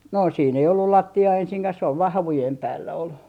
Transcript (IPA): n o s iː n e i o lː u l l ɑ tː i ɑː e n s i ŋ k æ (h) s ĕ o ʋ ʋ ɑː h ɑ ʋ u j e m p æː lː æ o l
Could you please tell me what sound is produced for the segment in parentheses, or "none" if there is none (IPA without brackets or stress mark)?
h